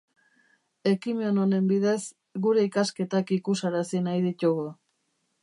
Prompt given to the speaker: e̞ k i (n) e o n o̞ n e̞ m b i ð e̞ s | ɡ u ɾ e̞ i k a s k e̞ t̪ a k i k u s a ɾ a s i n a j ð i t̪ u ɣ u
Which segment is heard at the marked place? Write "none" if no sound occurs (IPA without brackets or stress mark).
m